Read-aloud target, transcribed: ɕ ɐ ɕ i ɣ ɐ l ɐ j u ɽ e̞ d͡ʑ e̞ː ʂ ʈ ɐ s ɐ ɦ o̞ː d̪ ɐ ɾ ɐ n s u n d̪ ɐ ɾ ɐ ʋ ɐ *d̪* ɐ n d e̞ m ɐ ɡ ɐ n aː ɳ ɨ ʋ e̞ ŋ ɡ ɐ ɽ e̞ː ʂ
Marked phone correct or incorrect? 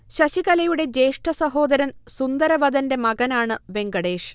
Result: correct